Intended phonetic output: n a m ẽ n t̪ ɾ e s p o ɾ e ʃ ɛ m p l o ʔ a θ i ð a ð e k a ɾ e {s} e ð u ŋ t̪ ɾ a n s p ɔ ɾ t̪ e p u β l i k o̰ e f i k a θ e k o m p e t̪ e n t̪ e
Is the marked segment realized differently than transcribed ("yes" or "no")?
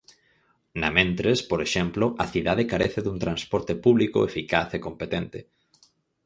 yes